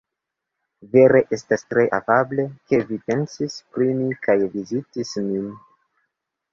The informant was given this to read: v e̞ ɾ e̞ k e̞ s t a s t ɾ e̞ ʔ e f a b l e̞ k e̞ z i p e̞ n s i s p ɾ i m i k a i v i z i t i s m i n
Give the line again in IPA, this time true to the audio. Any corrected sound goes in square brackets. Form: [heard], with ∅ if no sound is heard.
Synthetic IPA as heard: v e̞ ɾ e̞ [ʔ] e̞ s t a s t ɾ e̞ ʔ [a] f a b l e̞ k e̞ [v] i p e̞ n s i s p ɾ i m i k a [j] v i z i t i s m i n